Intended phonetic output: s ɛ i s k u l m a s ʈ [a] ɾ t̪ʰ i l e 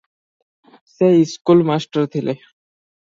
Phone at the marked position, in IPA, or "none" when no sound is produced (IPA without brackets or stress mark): ə